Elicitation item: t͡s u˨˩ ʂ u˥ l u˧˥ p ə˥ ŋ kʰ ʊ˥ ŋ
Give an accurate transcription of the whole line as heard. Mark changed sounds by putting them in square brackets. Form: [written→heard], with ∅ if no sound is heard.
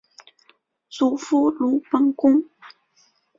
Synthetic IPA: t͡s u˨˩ [ʂ→f] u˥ l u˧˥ p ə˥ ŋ [kʰ→k] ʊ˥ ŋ